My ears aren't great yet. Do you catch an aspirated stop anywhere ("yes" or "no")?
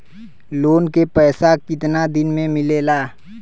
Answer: no